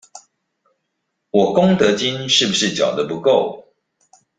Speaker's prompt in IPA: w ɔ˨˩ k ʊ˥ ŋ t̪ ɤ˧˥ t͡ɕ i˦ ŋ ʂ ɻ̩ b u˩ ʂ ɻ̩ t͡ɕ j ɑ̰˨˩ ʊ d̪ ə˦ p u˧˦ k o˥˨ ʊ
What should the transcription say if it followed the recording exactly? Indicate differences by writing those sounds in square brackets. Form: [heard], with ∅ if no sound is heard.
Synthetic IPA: w ɔ˨˩ k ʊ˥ ŋ t̪ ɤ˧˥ t͡ɕ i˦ [n] ʂ ɻ̩ b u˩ ʂ ɻ̩ t͡ɕ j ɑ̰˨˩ ʊ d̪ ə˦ p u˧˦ k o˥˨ ʊ